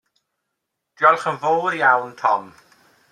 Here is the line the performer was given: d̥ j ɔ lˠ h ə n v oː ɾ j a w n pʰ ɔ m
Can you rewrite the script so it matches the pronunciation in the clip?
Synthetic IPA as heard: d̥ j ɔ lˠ χ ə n v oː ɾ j a w n tʰ ɔ m